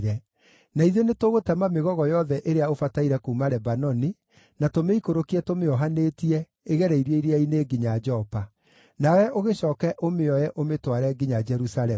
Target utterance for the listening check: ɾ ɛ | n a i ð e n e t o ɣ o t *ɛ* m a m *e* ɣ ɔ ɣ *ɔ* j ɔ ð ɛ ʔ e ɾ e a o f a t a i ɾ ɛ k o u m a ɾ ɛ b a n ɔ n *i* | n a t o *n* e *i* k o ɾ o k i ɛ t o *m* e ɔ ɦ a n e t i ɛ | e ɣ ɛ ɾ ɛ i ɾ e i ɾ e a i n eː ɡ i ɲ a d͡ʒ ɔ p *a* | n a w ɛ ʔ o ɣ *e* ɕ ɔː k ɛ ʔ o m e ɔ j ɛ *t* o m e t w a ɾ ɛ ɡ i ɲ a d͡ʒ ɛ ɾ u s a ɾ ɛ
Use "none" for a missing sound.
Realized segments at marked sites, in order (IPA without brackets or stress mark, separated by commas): ɛ, e, ɔ, i, m, i, m, a, e, ʔ